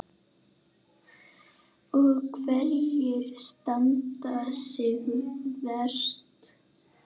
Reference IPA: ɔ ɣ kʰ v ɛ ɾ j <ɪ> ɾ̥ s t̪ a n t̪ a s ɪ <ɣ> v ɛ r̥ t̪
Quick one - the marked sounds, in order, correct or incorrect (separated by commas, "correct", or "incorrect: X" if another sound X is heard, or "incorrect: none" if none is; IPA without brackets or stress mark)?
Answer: correct, correct